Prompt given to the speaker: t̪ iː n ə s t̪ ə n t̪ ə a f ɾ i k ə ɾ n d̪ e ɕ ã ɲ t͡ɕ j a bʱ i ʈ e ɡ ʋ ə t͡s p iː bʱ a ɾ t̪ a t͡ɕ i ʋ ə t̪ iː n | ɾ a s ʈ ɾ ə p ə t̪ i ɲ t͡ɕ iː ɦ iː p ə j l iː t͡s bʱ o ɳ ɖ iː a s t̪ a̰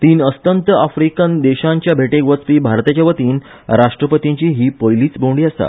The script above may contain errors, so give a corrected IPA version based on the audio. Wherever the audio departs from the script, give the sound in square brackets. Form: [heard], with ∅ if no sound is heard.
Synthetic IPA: t̪ iː n ə s t̪ ə n t̪ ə a f ɾ i k ə [∅] n d̪ e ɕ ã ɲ t͡ɕ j a bʱ [e] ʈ e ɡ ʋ ə t͡s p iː bʱ a ɾ t̪ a t͡ɕ [a] ʋ ə t̪ iː n | ɾ a [ʂ] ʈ ɾ ə p ə t̪ i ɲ t͡ɕ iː ɦ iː p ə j l iː t͡s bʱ o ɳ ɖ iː a s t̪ a̰

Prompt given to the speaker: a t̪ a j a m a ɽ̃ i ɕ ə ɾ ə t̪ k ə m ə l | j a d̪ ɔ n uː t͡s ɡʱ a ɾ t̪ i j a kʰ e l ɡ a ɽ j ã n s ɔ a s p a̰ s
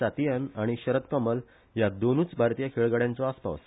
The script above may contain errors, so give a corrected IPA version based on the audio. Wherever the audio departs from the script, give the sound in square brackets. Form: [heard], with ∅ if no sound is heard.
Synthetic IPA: a t̪ [i] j a [n] a ɽ̃ i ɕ ə ɾ ə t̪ k ə m ə l | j a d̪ [o] n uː t͡s [bʱ] a ɾ t̪ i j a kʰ e [ɭ] ɡ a ɽ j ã n [t͡s] ɔ a s p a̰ s

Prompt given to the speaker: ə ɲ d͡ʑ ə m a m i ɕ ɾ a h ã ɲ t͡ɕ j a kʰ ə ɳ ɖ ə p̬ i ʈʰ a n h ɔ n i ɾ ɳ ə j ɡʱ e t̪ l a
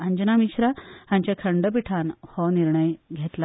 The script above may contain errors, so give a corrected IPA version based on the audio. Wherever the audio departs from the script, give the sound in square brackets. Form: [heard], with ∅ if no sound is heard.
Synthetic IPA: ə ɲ d͡ʑ ə [n] a m i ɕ ɾ a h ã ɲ t͡ɕ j a kʰ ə ɳ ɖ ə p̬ i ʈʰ a n h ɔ n i ɾ ɳ ə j ɡʱ e t̪ l a

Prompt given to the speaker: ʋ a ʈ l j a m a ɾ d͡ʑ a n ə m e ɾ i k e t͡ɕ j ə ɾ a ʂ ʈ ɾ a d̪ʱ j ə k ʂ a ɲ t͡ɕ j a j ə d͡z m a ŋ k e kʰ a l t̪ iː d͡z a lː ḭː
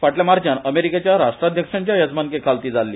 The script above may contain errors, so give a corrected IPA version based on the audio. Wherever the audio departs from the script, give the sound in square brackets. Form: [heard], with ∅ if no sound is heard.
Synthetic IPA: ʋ a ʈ l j a m a ɾ d͡ʑ a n ə m e ɾ i k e t͡ɕ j [a] ɾ a ʂ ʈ ɾ a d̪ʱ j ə k ʂ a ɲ t͡ɕ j a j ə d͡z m a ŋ k e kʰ a l t̪ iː d͡z a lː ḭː

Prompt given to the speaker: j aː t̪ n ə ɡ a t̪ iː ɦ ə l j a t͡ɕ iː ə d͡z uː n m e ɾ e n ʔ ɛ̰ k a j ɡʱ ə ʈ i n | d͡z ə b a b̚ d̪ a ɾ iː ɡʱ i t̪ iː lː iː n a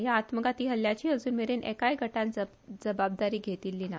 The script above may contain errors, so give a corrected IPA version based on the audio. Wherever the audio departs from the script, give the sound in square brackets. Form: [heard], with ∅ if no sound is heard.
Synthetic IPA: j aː t̪ [m] ə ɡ a t̪ iː ɦ ə l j a t͡ɕ iː ə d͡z uː n m e ɾ e n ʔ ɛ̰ k a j ɡʱ ə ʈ [a] n | d͡z ə b a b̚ d̪ a ɾ iː ɡʱ [e] t̪ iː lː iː n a

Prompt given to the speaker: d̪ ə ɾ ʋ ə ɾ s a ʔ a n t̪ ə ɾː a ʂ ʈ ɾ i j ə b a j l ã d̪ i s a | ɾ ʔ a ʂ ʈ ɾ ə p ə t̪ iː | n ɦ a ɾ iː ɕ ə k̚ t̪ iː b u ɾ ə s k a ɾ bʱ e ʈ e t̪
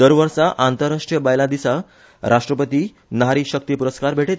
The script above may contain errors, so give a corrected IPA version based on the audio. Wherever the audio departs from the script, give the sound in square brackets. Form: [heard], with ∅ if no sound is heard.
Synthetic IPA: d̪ ə ɾ ʋ ə ɾ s a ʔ a n t̪ ə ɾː a ʂ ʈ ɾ i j ə b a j l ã d̪ i s a | ɾ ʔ a ʂ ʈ ɾ ə p ə t̪ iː | n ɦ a ɾ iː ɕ ə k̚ t̪ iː [p] u ɾ ə s k a ɾ bʱ e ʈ e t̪

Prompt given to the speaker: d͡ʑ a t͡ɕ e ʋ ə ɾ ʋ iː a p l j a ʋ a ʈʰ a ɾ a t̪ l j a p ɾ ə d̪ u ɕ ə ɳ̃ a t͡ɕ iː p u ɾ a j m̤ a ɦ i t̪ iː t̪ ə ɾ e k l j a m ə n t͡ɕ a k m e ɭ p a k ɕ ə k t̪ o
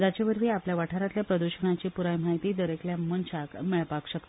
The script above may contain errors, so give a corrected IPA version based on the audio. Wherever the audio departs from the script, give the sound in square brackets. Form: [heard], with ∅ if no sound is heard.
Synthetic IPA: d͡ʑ a t͡ɕ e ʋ ə ɾ ʋ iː a p l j a ʋ a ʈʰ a ɾ a t̪ l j a p ɾ ə d̪ u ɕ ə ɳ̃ a t͡ɕ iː p u ɾ a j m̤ a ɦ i t̪ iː [d̪] ə ɾ e k l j a m ə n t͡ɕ a k m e ɭ p a k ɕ ə k t̪ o

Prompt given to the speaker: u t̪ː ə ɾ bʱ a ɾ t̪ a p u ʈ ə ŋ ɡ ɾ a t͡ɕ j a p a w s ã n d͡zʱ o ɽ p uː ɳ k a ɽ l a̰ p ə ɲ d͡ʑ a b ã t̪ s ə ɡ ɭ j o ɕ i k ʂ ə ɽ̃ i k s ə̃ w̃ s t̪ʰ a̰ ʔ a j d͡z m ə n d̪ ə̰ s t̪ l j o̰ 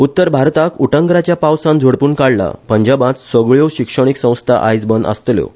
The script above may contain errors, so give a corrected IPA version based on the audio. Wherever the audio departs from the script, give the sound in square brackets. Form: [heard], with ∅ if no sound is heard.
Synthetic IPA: u t̪ː ə ɾ bʱ a ɾ t̪ a [k] u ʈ ə ŋ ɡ ɾ a t͡ɕ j a p a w s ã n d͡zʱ o ɽ p uː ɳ k a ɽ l a̰ p ə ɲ d͡ʑ a b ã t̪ s ə ɡ ɭ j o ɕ i k ʂ ə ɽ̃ i k s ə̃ w̃ s t̪ʰ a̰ ʔ a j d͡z [b] ə n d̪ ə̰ s t̪ l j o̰

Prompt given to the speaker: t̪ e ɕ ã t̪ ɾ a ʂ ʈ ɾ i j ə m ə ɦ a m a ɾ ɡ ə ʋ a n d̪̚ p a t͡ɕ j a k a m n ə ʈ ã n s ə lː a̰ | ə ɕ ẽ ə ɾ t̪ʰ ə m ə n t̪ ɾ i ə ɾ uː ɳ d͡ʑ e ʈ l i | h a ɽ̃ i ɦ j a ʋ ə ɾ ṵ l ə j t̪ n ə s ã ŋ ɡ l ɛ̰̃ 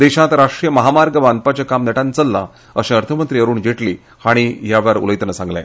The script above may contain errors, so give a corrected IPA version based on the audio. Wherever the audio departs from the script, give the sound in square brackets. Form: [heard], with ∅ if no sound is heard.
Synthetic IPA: [d̪] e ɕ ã t̪ ɾ a ʂ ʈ ɾ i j ə m ə ɦ a m a ɾ ɡ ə ʋ a n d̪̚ p a t͡ɕ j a k a m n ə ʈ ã n [t͡s] ə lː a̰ | ə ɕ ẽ ə ɾ t̪ʰ ə m ə n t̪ ɾ i ə ɾ uː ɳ d͡ʑ e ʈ l i | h a ɽ̃ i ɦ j a ʋ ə ɾ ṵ l ə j t̪ n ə s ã ŋ ɡ l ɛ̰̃

